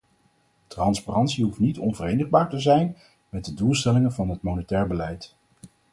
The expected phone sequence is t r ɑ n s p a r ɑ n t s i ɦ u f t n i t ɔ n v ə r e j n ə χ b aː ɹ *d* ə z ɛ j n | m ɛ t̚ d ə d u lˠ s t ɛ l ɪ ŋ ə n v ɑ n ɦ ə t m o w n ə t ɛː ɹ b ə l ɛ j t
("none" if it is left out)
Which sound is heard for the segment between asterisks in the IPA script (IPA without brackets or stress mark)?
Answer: t